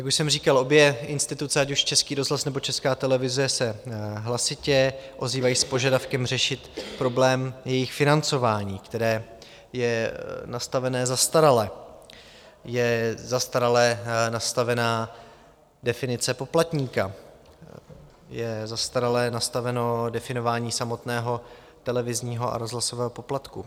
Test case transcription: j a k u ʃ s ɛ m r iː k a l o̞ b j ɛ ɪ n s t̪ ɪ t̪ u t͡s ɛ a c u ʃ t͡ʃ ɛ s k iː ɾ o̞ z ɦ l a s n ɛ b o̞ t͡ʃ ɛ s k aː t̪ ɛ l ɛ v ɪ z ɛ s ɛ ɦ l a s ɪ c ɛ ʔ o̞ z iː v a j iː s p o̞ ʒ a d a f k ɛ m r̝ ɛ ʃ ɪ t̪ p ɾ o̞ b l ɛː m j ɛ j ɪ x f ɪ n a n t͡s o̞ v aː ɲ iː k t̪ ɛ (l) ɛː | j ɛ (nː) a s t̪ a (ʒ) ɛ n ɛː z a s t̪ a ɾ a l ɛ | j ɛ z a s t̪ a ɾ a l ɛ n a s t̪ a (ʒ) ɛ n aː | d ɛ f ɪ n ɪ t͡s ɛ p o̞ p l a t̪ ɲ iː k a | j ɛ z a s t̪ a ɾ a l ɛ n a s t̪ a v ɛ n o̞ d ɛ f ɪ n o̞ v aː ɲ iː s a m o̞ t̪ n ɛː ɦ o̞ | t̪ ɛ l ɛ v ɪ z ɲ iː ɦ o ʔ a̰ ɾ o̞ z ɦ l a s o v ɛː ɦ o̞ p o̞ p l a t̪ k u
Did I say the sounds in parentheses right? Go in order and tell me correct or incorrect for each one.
incorrect: ɾ, incorrect: n, incorrect: v, incorrect: v

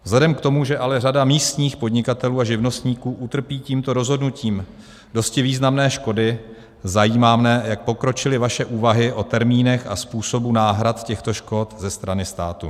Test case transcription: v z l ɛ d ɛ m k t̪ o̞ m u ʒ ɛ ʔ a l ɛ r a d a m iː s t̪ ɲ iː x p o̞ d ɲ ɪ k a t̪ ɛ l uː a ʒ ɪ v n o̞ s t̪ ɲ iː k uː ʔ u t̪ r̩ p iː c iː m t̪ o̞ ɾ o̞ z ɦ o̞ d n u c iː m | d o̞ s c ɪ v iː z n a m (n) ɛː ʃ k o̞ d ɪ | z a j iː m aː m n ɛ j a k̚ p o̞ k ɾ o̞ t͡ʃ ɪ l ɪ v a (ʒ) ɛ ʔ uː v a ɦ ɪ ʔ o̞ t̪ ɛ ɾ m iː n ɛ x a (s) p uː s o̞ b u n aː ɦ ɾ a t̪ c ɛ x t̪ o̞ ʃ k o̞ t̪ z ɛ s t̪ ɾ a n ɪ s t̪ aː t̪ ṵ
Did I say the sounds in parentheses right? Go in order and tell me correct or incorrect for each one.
correct, incorrect: ʃ, correct

